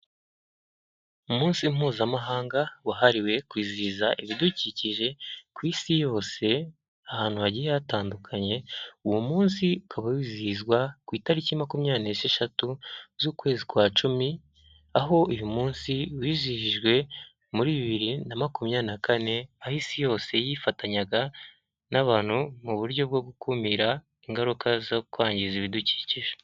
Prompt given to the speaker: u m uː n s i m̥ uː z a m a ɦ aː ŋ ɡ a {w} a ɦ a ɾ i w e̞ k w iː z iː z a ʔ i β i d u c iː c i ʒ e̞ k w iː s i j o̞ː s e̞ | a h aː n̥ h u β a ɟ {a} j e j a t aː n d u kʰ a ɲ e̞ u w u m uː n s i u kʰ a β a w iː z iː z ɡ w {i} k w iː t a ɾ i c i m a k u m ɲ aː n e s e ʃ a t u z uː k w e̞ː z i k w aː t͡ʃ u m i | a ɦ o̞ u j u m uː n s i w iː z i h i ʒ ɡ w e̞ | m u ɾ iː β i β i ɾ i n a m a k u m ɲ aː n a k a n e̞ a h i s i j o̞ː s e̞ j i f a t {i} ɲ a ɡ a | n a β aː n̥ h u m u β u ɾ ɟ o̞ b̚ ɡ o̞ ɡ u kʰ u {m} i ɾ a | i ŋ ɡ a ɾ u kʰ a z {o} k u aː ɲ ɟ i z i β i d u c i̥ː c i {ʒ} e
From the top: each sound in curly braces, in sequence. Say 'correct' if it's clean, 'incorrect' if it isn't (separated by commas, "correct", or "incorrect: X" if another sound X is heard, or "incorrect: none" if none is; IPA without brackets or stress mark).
correct, incorrect: i, incorrect: a, incorrect: a, correct, correct, correct